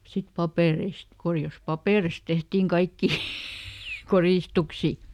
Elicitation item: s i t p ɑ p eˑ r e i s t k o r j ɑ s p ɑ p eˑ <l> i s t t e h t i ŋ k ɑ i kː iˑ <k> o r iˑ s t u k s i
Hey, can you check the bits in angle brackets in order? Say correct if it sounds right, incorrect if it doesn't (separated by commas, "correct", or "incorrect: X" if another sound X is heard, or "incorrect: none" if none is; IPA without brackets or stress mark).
incorrect: r, correct